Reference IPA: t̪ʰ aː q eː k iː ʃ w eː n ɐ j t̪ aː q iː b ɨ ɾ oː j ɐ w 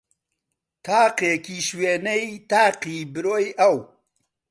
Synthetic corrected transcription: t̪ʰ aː q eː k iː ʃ w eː n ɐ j t̪ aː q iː b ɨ ɾ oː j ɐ w